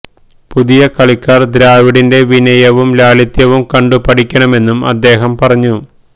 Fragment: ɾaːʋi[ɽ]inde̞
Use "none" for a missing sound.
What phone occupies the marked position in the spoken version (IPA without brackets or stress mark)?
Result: ɽ